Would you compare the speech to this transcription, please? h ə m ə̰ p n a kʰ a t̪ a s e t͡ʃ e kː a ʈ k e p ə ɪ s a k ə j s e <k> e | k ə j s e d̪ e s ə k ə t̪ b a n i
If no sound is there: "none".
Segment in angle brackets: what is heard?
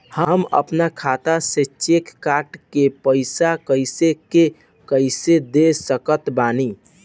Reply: k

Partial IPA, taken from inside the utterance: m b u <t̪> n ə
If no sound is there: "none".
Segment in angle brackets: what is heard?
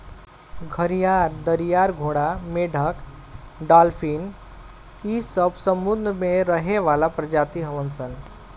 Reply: d̪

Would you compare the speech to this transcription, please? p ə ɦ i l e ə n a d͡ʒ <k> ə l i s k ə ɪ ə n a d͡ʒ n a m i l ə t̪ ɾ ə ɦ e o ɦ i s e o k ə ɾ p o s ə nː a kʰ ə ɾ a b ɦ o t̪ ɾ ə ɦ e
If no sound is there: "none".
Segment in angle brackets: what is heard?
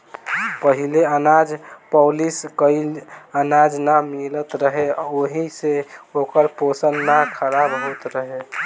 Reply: p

